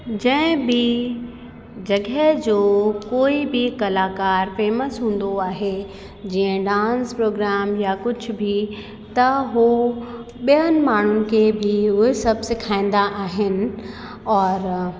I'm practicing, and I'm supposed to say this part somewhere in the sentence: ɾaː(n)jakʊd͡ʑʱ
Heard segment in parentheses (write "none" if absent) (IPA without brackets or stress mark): m